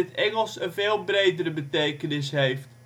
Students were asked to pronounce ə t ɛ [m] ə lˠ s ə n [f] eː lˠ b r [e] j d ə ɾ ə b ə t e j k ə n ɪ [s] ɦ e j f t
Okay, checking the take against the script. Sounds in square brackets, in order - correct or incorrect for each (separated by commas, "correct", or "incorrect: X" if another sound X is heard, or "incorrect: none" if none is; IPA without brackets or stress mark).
incorrect: ŋ, incorrect: v, correct, correct